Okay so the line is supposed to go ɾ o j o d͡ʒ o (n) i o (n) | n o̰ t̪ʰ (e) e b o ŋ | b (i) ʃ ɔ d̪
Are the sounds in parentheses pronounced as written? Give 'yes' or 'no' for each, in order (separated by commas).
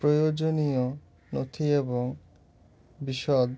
yes, no, no, yes